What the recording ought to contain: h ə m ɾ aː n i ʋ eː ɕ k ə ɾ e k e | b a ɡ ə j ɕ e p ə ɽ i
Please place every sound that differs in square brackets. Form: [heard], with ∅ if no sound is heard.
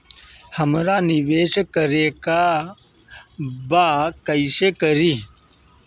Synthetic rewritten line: h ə m ɾ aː n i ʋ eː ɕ k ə ɾ e k [a] | b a [k] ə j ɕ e [k] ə [ɾ] i